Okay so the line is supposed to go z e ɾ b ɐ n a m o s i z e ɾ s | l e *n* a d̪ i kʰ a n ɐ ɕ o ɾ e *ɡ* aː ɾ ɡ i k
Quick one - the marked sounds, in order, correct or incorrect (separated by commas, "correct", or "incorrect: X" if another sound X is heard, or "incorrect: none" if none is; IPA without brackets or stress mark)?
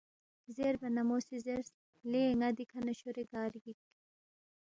incorrect: ŋ, correct